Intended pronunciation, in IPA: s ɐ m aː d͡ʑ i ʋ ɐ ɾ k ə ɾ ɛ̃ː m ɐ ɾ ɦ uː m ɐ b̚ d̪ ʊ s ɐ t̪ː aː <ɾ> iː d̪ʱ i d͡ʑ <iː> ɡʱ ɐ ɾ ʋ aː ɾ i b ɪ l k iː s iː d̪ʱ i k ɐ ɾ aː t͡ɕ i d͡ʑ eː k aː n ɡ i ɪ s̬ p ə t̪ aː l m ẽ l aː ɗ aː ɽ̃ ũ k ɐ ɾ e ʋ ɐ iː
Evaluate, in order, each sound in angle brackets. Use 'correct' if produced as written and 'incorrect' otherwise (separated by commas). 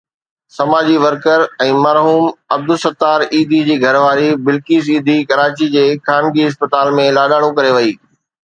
correct, correct